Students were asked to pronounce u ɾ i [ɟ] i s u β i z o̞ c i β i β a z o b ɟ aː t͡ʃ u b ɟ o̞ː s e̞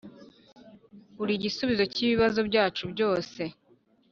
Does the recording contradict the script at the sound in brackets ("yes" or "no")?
no